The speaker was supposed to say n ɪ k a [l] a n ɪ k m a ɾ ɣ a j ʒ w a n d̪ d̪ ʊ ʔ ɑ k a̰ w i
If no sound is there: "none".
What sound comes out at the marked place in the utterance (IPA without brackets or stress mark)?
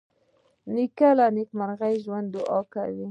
l